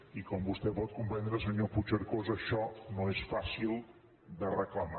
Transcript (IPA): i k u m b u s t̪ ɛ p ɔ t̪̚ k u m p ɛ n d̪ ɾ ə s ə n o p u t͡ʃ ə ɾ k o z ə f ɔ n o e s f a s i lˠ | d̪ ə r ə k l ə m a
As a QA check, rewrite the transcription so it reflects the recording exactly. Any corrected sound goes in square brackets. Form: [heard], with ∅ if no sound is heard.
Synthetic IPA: i k [ɔ] m b u s t̪ ɛ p ɔ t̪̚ k u m p ɛ n d̪ ɾ ə s ə [ɲ] o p u t͡ʃ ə ɾ k o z ə [ʃ] ɔ n o e s f a s i lˠ | d̪ ə r ə k l ə m a